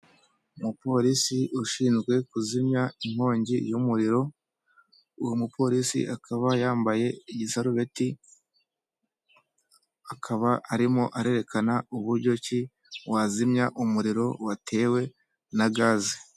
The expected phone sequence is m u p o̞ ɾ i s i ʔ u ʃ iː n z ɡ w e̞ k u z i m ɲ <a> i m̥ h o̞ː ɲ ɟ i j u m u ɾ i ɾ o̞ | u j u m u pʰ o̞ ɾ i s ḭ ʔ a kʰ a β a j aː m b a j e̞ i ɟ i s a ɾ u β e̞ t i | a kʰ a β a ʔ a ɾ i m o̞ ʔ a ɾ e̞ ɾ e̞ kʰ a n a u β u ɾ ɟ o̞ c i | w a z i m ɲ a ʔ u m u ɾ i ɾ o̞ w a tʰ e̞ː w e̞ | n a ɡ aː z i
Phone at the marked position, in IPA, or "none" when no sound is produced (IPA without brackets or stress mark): a